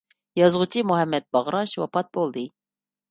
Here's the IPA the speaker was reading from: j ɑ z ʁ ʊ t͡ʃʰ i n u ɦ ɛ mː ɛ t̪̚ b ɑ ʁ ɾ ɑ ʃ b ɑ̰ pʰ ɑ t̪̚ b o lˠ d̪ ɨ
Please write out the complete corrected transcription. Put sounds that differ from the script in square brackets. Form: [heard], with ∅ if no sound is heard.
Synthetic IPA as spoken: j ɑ z ʁ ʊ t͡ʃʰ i [m] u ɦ ɛ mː ɛ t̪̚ b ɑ ʁ ɾ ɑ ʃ [w] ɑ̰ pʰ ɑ t̪̚ b o lˠ d̪ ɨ